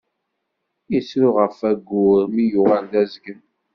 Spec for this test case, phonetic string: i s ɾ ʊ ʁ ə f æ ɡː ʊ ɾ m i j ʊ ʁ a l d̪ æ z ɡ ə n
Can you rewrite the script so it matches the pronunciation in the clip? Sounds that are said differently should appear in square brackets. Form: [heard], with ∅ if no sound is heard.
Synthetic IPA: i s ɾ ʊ ʁ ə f æ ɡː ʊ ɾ m i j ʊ ʁ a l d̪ æ z ɡ ə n